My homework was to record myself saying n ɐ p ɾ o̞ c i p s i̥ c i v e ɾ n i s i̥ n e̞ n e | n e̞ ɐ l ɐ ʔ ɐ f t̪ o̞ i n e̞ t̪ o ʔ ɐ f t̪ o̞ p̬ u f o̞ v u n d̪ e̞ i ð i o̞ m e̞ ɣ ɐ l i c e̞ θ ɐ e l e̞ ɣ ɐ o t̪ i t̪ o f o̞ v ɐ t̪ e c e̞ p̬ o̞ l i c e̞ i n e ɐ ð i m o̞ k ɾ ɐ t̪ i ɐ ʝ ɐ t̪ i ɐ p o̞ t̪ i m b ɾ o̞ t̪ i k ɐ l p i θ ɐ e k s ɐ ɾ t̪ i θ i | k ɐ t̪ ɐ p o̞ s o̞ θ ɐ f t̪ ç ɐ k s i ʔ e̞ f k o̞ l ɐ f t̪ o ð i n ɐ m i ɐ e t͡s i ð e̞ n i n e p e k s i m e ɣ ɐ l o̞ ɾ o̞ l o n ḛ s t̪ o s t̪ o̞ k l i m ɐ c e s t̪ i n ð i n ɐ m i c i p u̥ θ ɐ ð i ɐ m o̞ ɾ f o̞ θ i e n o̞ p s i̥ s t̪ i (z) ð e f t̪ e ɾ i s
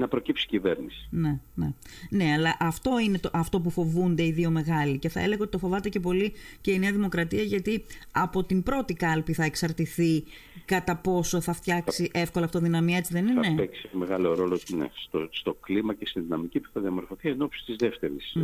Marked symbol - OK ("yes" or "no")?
yes